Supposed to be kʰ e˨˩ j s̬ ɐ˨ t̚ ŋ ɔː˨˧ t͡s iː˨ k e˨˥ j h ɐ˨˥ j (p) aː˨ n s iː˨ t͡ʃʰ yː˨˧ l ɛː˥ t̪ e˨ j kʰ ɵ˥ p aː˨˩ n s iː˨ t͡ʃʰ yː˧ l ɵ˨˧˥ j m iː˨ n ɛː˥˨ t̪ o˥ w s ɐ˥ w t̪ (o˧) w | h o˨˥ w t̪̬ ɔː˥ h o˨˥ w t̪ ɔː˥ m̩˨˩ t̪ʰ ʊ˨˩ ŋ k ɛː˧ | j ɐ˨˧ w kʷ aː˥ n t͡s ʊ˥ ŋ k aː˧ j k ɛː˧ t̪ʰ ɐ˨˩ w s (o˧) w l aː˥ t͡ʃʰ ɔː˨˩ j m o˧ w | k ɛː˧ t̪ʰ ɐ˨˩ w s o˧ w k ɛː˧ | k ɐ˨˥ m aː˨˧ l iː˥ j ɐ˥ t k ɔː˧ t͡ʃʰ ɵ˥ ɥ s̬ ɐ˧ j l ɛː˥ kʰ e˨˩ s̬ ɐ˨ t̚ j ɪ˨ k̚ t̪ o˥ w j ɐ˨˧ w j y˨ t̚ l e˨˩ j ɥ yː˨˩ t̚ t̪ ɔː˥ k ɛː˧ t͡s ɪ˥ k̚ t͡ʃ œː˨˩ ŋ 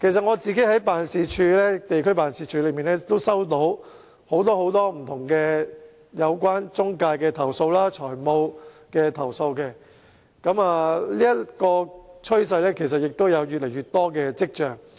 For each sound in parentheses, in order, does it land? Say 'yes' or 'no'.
yes, no, yes

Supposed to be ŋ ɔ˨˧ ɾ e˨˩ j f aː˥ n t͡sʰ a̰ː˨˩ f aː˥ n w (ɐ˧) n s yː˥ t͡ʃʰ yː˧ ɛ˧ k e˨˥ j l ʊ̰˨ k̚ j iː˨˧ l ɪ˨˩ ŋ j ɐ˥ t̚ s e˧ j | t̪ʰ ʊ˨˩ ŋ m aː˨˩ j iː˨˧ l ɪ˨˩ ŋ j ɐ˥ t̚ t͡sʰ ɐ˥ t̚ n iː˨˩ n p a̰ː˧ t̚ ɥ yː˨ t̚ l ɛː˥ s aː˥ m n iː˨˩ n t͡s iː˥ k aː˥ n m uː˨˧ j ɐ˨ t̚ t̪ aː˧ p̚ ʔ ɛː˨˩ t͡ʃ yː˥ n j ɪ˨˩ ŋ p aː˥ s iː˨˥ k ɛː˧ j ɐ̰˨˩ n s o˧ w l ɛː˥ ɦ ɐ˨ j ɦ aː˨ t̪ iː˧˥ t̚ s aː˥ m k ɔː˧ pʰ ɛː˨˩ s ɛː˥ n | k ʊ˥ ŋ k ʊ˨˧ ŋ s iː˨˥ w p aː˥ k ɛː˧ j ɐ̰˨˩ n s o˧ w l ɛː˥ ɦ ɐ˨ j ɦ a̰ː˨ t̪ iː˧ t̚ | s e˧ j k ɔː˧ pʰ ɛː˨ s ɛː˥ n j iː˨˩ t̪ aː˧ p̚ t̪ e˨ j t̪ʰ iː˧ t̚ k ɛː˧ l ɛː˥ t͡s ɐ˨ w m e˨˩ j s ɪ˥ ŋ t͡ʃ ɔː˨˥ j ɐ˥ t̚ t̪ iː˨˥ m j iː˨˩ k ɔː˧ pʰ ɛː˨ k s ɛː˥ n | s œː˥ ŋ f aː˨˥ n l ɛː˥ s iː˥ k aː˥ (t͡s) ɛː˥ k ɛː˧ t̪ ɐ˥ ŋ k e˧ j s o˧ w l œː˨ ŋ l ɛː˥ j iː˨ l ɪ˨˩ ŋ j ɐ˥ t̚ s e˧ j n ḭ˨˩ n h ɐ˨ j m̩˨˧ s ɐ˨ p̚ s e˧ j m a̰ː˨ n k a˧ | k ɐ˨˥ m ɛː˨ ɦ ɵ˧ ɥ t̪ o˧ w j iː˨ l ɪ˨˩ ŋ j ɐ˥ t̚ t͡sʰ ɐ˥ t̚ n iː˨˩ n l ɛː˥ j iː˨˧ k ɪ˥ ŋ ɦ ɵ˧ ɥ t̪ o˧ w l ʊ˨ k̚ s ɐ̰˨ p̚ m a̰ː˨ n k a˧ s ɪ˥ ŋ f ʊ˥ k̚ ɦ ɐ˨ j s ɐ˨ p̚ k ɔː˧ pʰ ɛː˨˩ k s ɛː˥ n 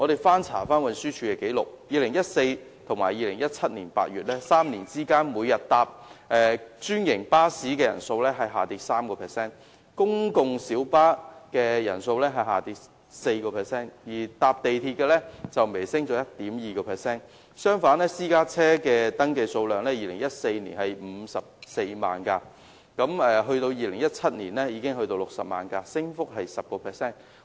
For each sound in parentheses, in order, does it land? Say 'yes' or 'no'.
yes, no

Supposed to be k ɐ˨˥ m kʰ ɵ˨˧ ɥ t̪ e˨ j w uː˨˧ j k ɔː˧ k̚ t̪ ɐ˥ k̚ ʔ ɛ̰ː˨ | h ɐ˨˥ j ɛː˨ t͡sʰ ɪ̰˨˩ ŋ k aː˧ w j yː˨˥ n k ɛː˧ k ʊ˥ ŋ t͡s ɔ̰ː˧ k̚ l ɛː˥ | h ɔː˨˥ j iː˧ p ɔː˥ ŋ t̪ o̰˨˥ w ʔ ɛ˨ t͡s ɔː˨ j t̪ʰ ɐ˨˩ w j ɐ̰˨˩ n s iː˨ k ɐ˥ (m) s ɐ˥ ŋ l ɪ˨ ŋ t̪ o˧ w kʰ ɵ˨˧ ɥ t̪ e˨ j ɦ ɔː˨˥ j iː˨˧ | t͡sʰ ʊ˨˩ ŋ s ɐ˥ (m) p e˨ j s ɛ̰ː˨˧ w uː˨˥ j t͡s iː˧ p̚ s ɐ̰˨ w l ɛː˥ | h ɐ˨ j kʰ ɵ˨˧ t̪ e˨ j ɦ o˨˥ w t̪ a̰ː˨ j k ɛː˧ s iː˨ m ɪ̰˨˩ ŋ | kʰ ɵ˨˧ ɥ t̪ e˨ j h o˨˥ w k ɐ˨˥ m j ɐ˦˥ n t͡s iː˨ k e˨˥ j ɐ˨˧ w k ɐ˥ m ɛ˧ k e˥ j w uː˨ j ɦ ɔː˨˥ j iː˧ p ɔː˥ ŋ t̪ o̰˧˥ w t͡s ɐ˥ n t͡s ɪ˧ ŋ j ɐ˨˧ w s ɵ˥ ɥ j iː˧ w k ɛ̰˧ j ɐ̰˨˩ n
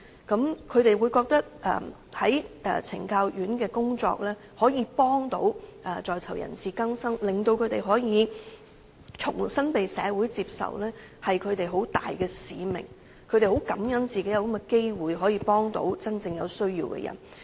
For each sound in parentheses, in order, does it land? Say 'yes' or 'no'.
no, no

